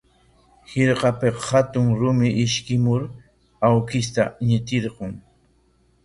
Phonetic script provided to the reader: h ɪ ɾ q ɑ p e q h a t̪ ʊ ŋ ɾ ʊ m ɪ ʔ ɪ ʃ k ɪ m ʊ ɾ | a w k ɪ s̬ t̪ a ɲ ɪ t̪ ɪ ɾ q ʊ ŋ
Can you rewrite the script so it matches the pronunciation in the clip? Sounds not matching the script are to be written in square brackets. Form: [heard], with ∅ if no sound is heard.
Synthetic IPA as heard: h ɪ ɾ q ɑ p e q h a t̪ ʊ ŋ ɾ ʊ m ɪ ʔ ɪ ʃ k ɪ m ʊ ɾ | a w k ɪ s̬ t̪ a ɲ ɪ t̪ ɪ ɾ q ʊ ŋ